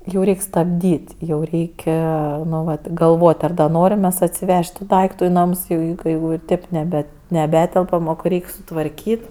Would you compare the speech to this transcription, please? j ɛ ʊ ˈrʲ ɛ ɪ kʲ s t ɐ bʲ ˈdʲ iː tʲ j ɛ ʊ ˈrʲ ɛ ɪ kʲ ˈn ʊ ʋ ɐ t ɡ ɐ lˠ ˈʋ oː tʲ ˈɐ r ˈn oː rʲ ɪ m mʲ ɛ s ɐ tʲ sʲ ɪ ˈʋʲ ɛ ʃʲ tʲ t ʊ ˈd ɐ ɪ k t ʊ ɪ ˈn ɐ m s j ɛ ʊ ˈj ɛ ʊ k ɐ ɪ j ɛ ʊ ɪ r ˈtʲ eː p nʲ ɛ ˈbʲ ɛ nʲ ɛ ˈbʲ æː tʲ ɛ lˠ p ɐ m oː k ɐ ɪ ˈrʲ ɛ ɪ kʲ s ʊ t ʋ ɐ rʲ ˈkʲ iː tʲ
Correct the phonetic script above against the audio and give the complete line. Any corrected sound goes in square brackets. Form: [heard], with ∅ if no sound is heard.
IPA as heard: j ɛ ʊ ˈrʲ ɛ ɪ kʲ s t ɐ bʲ ˈdʲ iː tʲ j ɛ ʊ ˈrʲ ɛ ɪ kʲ ˈn ʊ ʋ ɐ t ɡ ɐ lˠ ˈʋ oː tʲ ˈɐ r ˈn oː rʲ ɪ m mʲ ɛ s ɐ tʲ sʲ ɪ ˈʋʲ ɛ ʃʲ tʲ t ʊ ˈd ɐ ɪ k t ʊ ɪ ˈn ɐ m s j ɛ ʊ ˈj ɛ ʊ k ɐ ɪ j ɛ ʊ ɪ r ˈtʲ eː p nʲ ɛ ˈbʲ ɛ nʲ ɛ ˈbʲ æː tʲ ɛ lˠ p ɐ m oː k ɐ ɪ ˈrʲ ɛ ɪ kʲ s ʊ t ʋ ɐ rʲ ˈkʲ iː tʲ